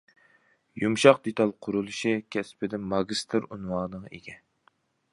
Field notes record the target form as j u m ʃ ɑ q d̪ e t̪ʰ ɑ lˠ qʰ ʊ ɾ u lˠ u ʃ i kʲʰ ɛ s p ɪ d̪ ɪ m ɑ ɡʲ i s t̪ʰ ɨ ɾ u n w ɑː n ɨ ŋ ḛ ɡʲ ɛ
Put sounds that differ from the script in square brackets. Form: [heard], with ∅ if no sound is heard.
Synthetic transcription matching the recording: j u m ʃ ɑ q d̪ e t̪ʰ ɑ lˠ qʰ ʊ ɾ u lˠ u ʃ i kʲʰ ɛ s p ɪ d̪ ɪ m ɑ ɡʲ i s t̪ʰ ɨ ɾ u n w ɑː n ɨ ŋ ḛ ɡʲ ɛ